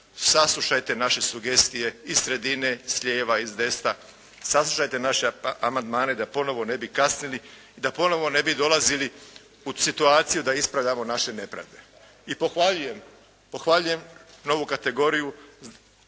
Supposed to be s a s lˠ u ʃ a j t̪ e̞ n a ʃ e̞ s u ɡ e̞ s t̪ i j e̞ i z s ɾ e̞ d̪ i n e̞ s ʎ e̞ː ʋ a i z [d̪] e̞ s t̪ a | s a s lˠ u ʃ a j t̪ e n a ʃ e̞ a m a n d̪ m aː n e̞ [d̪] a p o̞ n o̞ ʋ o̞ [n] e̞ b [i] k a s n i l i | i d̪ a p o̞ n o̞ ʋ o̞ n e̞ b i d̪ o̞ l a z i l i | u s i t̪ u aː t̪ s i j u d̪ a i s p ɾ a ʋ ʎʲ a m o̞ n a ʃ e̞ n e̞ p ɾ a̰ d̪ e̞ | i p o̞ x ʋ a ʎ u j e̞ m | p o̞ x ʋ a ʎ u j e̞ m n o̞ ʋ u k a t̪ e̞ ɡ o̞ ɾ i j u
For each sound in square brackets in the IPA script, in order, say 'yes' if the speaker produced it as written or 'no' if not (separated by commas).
yes, yes, yes, yes